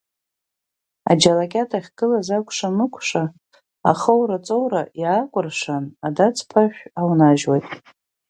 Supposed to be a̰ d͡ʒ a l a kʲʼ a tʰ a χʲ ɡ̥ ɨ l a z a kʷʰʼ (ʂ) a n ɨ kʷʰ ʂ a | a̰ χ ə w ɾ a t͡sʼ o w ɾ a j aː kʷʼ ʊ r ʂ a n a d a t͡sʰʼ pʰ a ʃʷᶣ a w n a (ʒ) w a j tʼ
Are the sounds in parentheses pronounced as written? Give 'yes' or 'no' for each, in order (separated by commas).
yes, yes